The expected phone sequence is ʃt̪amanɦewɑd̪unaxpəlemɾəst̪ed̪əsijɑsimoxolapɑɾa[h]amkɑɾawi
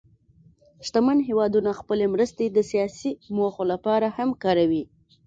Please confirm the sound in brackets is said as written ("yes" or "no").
yes